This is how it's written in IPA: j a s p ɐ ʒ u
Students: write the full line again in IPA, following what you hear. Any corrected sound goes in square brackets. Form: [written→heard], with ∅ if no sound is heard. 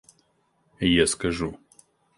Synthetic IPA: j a s [p→k] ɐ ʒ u

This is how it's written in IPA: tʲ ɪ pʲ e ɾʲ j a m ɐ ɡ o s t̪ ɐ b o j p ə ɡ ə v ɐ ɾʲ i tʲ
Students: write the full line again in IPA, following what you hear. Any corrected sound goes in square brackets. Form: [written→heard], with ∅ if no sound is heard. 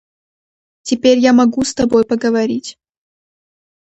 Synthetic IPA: tʲ ɪ pʲ e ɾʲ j a m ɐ ɡ [o→u] s t̪ ɐ b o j p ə ɡ ə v ɐ ɾʲ i tʲ

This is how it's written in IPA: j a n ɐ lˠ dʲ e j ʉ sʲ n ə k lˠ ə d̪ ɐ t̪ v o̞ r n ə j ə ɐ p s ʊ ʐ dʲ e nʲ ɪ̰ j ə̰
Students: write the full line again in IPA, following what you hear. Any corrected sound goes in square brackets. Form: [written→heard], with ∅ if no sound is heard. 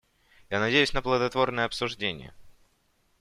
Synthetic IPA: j a n ɐ [lˠ→∅] dʲ e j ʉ sʲ n ə [k→p] lˠ ə d̪ ɐ t̪ v o̞ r n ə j ə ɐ p s ʊ ʐ dʲ e nʲ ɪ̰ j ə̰

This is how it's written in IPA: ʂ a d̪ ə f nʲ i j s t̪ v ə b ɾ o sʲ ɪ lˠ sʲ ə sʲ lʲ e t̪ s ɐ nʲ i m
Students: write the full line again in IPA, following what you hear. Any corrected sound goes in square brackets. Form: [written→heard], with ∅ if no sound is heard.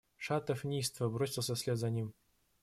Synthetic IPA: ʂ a [d̪→t̪] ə f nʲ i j s t̪ v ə b ɾ o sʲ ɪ lˠ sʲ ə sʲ lʲ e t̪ [s→z] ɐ nʲ i m

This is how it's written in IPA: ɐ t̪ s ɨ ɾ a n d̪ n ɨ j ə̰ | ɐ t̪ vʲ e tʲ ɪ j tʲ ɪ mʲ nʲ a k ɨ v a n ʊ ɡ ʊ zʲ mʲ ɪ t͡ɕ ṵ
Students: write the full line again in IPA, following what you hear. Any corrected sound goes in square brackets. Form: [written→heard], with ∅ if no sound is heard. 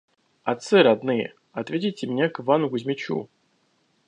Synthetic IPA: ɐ t̪ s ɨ ɾ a [n→∅] d̪ n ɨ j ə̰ | ɐ t̪ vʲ e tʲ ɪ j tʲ ɪ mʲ nʲ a k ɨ v a n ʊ ɡ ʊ zʲ mʲ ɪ t͡ɕ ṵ

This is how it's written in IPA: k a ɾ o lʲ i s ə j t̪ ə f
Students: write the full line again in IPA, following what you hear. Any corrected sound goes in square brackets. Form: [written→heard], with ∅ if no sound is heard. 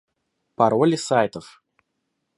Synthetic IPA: [k→p] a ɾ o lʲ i s [ə→a] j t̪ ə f

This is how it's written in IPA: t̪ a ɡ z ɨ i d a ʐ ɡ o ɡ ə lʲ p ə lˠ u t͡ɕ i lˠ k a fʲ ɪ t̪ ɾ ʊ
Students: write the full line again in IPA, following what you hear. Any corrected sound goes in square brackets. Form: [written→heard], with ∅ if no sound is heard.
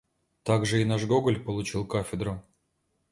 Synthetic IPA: t̪ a ɡ [z→ʐ] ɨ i [d→n] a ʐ ɡ o ɡ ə lʲ p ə lˠ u t͡ɕ i lˠ k a fʲ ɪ [t̪→d̪] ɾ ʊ

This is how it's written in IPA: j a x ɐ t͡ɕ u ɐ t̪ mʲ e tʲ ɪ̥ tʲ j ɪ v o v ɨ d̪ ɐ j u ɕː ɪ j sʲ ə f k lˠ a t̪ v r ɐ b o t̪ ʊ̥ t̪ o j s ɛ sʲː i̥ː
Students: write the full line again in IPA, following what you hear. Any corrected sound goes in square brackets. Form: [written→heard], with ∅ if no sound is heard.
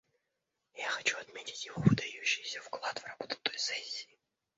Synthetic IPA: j a x ɐ t͡ɕ u ɐ t̪ mʲ e tʲ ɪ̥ tʲ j ɪ v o v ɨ d̪ ɐ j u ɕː ɪ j sʲ ə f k lˠ a t̪ v r ɐ b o t̪ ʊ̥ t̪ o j s ɛ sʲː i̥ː

